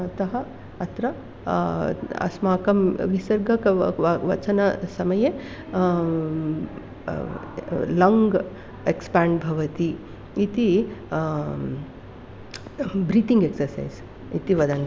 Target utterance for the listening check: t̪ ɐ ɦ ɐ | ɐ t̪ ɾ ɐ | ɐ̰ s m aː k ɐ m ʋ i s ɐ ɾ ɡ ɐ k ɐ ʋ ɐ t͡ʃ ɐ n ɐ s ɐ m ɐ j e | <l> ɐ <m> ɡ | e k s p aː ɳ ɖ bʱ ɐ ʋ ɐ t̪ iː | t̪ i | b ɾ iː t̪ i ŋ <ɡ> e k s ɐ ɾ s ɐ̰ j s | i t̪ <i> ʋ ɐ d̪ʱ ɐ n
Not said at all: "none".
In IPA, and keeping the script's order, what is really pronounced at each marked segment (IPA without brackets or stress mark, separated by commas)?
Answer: l, ŋ, ɡ, i